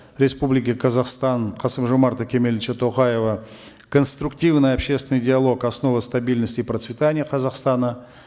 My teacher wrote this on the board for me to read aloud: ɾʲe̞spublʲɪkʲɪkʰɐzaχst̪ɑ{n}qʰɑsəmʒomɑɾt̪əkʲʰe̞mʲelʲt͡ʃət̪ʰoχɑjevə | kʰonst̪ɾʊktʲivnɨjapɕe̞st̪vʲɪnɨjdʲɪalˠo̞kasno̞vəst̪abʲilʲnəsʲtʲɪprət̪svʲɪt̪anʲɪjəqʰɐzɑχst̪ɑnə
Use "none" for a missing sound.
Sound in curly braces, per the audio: n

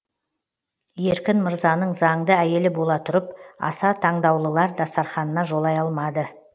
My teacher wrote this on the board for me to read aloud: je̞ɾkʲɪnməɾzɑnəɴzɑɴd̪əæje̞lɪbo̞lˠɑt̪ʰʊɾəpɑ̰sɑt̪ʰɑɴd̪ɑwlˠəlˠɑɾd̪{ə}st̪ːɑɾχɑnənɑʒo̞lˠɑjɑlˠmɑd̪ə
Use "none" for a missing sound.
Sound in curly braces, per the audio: ɑ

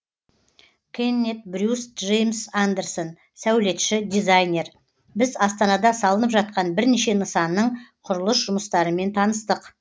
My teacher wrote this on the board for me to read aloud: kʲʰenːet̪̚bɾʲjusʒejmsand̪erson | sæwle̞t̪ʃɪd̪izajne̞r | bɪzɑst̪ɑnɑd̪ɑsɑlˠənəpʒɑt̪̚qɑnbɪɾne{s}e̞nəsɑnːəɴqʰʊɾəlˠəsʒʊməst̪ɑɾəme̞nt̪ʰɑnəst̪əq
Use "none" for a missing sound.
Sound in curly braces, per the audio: ʃ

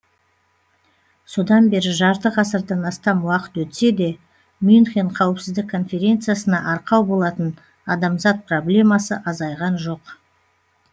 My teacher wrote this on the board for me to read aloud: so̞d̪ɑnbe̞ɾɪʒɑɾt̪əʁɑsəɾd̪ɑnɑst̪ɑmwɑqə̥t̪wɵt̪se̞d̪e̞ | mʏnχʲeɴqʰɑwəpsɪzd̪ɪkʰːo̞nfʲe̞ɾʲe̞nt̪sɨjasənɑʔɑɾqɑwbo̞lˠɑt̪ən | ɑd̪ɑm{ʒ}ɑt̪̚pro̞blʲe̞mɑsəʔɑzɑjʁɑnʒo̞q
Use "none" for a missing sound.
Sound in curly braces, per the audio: z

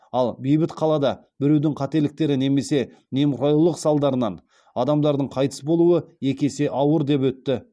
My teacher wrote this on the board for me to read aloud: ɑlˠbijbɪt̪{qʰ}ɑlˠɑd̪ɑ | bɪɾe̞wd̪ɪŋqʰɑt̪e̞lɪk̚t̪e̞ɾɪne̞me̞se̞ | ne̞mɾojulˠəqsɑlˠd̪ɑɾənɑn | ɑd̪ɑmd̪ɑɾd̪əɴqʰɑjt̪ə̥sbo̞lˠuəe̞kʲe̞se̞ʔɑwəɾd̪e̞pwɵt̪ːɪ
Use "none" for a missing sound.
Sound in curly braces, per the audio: qʰ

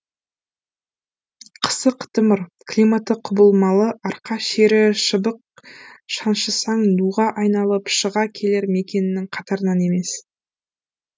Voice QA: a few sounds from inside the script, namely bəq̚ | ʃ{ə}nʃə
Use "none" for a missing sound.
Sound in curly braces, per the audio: ɑ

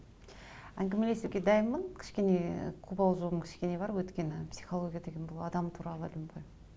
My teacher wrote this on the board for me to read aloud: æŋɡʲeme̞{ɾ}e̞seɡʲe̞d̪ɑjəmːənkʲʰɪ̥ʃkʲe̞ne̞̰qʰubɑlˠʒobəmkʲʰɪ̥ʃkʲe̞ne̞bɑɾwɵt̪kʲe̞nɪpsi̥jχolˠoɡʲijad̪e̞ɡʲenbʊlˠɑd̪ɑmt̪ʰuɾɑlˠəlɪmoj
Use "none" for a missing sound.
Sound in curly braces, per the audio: l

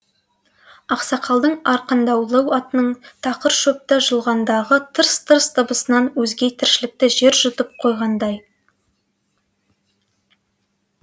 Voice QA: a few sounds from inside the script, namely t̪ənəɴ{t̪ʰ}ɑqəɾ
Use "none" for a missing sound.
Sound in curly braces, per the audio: t̪ʰ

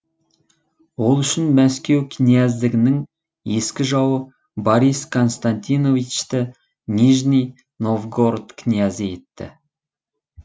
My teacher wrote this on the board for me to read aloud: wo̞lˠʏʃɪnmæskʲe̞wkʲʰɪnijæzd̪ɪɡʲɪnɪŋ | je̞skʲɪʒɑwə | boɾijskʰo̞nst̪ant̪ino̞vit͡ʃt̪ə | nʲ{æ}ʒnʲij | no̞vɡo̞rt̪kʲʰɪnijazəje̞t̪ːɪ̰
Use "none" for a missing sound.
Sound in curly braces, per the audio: i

